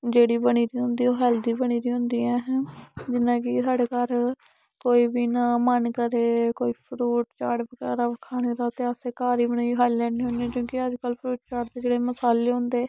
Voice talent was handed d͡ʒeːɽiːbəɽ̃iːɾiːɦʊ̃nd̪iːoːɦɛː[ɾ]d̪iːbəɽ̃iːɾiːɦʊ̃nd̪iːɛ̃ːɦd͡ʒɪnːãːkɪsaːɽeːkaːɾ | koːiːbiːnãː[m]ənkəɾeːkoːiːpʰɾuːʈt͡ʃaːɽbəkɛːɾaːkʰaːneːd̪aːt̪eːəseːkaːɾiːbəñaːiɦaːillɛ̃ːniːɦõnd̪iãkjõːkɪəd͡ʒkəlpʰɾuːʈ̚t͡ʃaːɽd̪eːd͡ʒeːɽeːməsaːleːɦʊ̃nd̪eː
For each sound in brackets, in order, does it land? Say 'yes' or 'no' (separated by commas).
no, yes